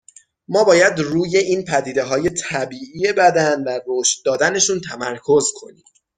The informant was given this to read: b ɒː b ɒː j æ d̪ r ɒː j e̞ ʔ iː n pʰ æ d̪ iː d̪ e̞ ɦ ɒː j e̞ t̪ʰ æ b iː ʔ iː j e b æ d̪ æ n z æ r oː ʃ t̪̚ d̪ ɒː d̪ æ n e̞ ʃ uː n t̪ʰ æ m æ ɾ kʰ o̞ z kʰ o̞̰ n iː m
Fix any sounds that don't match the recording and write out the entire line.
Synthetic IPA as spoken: m ɒː b ɒː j æ d̪ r uː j e̞ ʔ iː n pʰ æ d̪ iː d̪ e̞ ɦ ɒː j e̞ t̪ʰ æ b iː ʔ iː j e b æ d̪ æ n v æ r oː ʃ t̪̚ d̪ ɒː d̪ æ n e̞ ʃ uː n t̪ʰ æ m æ ɾ kʰ o̞ z kʰ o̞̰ n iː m

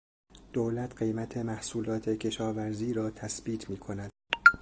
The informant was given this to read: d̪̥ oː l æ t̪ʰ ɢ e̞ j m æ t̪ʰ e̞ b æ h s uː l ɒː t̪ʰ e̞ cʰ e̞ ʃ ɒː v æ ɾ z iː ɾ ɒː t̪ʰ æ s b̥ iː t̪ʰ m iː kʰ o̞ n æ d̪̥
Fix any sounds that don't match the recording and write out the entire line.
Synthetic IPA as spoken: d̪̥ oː l æ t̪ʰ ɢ e̞ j m æ t̪ʰ e̞ m æ h s uː l ɒː t̪ʰ e̞ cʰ e̞ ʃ ɒː v æ ɾ z iː ɾ ɒː t̪ʰ æ s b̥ iː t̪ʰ m iː kʰ o̞ n æ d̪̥

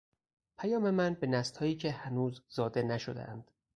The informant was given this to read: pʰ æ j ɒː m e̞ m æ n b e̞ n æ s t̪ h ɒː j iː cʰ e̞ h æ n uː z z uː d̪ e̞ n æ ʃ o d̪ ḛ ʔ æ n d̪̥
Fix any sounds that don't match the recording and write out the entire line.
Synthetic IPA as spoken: pʰ æ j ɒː m e̞ m æ n b e̞ n æ s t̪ h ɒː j iː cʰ e̞ h æ n uː z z ɒː d̪ e̞ n æ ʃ o d̪ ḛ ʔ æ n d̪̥

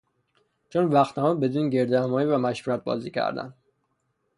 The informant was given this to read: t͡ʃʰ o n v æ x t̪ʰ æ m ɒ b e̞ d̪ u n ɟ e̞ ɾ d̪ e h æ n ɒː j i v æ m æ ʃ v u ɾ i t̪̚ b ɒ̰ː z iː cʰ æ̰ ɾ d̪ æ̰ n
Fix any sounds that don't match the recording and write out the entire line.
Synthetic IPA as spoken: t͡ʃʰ o n v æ x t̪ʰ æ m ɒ b e̞ d̪ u n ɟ e̞ ɾ d̪ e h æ m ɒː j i v æ m æ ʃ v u ɾ æ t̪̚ b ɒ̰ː z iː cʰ æ̰ ɾ d̪ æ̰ n

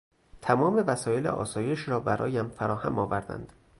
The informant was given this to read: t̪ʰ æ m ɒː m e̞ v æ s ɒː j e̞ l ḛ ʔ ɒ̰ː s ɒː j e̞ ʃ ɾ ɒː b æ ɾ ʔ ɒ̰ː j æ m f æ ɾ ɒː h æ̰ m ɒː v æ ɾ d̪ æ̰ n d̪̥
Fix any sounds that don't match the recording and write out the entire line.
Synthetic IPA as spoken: t̪ʰ æ m ɒː m e̞ v æ s ɒː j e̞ l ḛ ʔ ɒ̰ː s ɒː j e̞ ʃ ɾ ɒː b æ ɾ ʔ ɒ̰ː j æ m f æ ɾ ɒː h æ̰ m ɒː v æ ɾ d̪ æ̰ n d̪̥

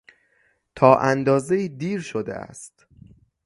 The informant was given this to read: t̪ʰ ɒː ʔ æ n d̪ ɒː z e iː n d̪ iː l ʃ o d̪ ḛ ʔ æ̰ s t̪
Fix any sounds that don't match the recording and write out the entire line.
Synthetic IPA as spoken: t̪ʰ ɒː ʔ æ n d̪ ɒː z e iː d̪ iː ɾ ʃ o d̪ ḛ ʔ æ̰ s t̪

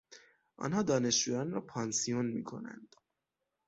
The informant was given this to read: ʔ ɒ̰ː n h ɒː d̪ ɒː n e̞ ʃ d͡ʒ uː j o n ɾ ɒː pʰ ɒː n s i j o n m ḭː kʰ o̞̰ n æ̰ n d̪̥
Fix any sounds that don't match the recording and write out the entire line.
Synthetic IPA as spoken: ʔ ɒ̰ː n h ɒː d̪ ɒː n e̞ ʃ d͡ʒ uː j ɒ n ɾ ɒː pʰ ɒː n s i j o n m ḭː kʰ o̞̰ n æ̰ n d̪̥

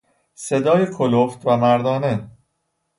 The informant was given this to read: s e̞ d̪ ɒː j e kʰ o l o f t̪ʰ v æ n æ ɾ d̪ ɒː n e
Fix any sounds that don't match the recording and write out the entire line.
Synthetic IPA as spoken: s e̞ d̪ ɒː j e kʰ o l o f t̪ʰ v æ m æ ɾ d̪ ɒː n e

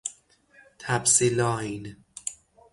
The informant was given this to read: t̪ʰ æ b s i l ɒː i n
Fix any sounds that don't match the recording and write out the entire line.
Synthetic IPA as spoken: t̪ʰ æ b s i l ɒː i n

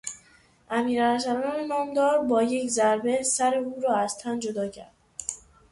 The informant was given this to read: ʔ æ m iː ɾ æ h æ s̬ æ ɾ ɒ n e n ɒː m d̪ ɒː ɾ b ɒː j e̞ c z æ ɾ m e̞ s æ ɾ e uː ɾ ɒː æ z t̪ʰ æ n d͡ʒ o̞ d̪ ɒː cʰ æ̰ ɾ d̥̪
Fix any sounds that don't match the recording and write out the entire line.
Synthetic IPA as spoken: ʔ æ m iː ɾ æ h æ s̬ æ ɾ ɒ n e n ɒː m d̪ ɒː ɾ b ɒː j e̞ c z æ ɾ b e̞ s æ ɾ e uː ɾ ɒː æ z t̪ʰ æ n d͡ʒ o̞ d̪ ɒː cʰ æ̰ ɾ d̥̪

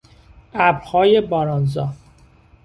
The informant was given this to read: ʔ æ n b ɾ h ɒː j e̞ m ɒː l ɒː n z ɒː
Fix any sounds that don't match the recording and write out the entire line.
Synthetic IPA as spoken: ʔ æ b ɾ h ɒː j e̞ b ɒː ɾ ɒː n z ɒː

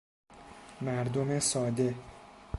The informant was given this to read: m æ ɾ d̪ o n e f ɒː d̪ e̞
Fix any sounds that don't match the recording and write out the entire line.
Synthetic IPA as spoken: m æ ɾ d̪ o m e s ɒː d̪ e̞

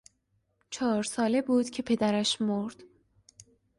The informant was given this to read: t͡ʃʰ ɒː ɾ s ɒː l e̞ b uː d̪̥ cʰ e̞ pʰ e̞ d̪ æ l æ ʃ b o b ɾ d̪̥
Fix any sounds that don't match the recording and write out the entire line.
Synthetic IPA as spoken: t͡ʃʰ ɒː ɾ s ɒː l e̞ b uː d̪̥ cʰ e̞ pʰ e̞ d̪ æ ɾ æ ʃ m o ɾ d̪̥

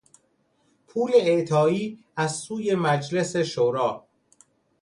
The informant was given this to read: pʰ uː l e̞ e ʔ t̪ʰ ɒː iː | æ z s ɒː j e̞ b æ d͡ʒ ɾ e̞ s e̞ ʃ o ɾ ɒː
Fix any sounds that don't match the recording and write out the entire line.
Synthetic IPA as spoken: pʰ uː l e̞ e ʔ t̪ʰ ɒː iː | æ z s uː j e̞ m æ d͡ʒ l e̞ s e̞ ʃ o ɾ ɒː

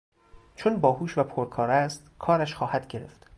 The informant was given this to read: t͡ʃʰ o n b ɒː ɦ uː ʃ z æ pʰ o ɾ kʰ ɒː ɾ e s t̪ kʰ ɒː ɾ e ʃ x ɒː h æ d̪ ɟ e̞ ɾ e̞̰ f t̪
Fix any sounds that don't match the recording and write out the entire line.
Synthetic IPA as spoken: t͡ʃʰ o n b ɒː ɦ uː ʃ v æ pʰ o ɾ kʰ ɒː ɾ æ s t̪ kʰ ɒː ɾ æ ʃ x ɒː h æ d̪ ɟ e̞ ɾ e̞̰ f t̪

